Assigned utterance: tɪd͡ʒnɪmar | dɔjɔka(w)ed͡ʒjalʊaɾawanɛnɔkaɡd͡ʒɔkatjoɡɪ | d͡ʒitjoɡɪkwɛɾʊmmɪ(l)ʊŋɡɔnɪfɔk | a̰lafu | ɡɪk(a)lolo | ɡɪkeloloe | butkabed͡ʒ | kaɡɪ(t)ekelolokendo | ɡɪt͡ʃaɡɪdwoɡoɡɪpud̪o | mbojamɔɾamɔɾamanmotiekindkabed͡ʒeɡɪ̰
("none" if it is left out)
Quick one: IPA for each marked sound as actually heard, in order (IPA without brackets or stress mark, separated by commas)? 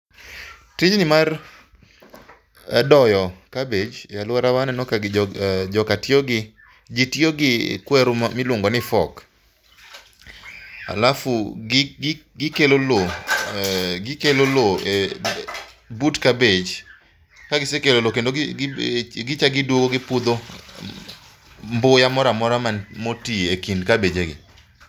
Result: b, l, e, s